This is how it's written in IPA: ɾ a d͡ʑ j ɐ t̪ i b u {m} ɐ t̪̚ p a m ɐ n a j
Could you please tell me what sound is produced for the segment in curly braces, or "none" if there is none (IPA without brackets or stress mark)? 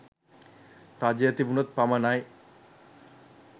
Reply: n